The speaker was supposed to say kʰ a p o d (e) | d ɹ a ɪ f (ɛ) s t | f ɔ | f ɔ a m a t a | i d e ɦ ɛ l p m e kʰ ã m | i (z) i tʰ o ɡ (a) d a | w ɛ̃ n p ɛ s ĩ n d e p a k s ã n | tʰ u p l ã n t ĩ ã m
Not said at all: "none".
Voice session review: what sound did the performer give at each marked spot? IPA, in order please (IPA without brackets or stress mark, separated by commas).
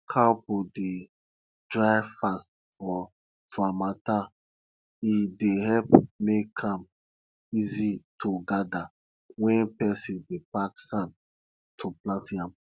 e, a, z, a